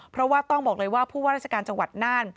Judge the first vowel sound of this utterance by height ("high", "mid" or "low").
mid